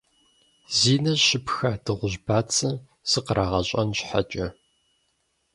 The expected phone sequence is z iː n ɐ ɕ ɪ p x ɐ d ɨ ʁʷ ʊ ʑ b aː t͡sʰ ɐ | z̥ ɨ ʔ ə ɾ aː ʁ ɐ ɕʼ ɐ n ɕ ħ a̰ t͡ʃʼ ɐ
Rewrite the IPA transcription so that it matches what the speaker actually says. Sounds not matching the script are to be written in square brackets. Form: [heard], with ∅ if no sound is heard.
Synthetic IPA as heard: z iː n ɐ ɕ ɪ p x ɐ d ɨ ʁʷ ʊ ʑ b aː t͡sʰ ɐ | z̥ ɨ [q] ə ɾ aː ʁ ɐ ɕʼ ɐ n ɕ ħ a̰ t͡ʃʼ ɐ